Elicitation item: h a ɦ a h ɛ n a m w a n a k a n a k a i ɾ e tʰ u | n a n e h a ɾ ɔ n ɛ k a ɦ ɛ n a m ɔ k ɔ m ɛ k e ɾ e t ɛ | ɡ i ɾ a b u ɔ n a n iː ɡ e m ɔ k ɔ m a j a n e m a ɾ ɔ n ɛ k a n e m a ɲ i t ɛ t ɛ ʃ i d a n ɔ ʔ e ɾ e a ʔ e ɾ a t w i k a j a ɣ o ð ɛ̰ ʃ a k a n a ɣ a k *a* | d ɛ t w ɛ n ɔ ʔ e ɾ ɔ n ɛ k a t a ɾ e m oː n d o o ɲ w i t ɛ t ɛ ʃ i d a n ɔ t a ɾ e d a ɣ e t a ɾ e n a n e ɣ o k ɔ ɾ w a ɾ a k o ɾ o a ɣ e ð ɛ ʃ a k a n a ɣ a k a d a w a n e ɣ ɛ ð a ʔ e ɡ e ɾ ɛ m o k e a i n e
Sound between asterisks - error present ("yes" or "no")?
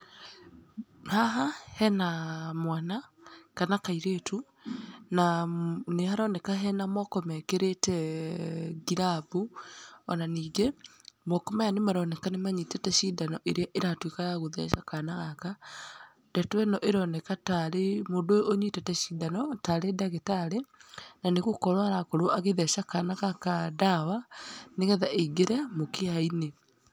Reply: no